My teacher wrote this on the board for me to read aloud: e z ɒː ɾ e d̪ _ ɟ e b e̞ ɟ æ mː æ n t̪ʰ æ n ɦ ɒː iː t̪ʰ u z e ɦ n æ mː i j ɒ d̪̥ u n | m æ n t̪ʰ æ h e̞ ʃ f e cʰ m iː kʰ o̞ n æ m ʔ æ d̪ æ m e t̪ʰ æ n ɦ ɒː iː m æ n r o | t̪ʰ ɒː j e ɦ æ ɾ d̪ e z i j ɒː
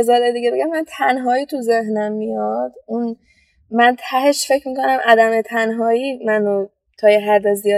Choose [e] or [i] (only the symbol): i